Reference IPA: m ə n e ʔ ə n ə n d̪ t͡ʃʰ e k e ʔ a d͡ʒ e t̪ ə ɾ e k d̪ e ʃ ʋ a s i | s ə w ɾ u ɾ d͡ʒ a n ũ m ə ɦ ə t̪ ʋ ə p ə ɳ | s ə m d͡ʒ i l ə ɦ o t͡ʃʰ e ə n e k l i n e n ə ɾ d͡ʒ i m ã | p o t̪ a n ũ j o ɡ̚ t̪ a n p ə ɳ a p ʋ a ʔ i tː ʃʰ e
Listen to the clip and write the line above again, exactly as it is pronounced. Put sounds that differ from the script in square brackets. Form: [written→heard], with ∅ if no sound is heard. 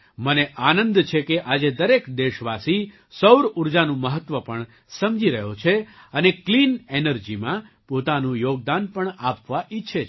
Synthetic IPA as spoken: m ə n e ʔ [ə→a] n ə n d̪ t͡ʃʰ e k e ʔ a d͡ʒ e [t̪→d̪] ə ɾ e k d̪ e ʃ ʋ a s i | s ə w ɾ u ɾ d͡ʒ a n ũ m ə ɦ ə t̪ ʋ ə p ə ɳ | s ə m d͡ʒ i [l→ɾ] ə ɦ o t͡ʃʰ e ə n e k l i n e n ə ɾ d͡ʒ i m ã | p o t̪ a n ũ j o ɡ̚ [t̪→d̪] a n p ə ɳ a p ʋ a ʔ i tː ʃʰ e